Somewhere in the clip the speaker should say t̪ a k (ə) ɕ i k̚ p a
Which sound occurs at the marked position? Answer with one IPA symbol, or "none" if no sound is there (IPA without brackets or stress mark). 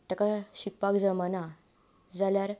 a